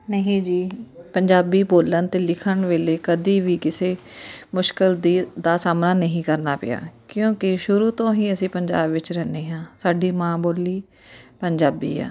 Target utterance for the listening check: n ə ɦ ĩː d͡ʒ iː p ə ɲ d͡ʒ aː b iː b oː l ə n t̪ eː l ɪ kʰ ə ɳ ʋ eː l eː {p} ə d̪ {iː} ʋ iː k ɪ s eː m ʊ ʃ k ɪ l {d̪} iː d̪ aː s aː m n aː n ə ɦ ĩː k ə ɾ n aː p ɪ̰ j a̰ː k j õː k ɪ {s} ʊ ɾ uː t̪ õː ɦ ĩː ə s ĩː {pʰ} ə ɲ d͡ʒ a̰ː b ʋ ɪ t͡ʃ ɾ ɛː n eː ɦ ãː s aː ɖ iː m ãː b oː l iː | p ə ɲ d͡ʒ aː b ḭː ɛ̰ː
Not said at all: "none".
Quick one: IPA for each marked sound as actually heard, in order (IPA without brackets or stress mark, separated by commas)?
k, iː, d̪, ʃ, p